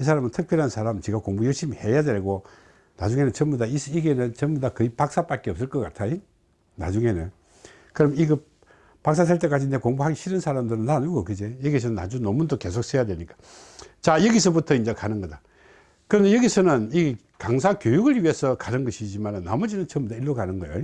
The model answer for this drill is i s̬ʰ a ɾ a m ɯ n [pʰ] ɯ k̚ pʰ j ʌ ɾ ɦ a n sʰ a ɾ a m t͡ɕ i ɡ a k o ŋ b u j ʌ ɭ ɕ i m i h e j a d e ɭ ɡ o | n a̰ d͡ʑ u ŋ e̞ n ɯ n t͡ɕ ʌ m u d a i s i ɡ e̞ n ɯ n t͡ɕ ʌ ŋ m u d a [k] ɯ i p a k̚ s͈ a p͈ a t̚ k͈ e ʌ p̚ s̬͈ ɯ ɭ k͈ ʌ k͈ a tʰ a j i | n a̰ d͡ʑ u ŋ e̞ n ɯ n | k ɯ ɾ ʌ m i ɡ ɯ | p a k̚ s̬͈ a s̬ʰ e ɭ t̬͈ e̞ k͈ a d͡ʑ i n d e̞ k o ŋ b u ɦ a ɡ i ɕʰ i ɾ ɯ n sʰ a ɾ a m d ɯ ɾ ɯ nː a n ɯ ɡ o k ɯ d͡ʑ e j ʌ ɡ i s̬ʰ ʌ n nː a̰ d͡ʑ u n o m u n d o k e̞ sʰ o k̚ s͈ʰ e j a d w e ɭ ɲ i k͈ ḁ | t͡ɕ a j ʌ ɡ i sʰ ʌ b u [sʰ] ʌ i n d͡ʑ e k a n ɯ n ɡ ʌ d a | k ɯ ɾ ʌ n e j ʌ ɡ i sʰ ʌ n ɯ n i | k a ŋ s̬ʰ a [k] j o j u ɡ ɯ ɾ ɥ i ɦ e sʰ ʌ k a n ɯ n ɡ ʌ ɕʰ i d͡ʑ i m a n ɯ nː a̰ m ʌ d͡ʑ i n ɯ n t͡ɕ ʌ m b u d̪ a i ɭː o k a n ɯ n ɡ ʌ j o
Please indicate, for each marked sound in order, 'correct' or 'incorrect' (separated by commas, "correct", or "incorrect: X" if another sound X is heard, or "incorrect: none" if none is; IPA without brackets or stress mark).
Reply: incorrect: tʰ, correct, incorrect: tʰ, correct